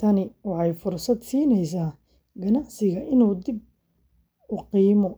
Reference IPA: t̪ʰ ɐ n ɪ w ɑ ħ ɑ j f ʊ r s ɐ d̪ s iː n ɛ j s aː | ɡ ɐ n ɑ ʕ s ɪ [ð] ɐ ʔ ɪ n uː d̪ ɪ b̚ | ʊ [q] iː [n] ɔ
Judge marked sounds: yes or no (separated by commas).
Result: no, yes, no